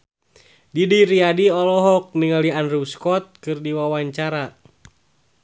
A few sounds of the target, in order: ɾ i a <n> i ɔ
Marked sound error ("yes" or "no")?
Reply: yes